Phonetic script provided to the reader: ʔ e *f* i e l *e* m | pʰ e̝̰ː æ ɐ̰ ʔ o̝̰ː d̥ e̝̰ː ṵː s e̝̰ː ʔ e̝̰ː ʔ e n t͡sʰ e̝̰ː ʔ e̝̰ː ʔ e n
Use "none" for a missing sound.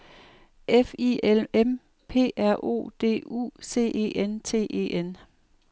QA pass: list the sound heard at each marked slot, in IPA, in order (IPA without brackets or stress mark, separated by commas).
f, e